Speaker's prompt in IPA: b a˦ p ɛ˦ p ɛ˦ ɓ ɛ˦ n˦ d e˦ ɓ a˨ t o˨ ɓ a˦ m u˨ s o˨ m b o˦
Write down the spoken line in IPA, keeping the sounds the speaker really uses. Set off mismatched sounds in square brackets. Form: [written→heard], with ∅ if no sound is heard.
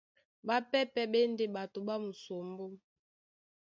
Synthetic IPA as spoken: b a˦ p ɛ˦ p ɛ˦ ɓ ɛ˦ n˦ d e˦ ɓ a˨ t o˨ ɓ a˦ m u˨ s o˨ m b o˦